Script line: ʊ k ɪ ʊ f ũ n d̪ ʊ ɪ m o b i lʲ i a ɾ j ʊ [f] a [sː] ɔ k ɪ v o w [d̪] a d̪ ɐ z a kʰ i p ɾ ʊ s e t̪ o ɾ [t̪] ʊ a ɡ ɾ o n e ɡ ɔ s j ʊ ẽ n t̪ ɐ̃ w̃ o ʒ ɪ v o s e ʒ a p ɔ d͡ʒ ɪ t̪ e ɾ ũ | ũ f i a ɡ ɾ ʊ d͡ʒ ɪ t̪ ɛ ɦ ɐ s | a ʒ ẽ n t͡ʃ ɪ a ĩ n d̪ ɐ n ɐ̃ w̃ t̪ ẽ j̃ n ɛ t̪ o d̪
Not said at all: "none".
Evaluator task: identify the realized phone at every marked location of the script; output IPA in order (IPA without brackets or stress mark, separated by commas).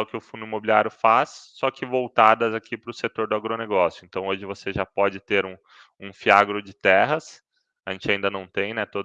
f, sː, t̪, d̪